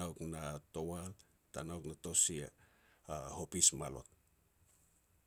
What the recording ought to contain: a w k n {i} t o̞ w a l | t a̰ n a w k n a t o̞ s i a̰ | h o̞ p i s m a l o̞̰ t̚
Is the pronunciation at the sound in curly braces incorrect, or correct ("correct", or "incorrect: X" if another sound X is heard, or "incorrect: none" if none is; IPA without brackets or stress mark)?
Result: incorrect: a